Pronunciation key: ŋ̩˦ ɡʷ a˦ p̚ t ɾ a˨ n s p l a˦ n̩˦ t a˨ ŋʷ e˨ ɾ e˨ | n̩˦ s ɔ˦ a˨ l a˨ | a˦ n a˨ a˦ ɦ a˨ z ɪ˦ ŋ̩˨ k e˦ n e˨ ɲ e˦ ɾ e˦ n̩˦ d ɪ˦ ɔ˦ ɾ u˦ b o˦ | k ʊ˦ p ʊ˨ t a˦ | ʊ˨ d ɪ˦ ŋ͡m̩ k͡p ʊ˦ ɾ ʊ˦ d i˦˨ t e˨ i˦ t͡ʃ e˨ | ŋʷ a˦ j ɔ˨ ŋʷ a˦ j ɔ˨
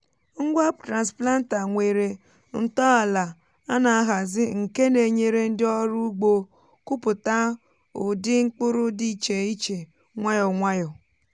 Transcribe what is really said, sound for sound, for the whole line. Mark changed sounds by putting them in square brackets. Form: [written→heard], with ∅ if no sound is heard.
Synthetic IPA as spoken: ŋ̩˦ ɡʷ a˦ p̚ t ɾ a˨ n s p l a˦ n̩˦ t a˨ ŋʷ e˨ ɾ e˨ | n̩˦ [s→t] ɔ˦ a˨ l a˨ | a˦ n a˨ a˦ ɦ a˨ z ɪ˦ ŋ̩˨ k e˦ n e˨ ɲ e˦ ɾ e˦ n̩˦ d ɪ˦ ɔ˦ ɾ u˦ [b→ɡ͡b] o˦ | k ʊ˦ p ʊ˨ t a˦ | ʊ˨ d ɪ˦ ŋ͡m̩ k͡p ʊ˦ ɾ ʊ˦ d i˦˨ [t→t͡ʃ] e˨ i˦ t͡ʃ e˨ | ŋʷ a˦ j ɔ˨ ŋʷ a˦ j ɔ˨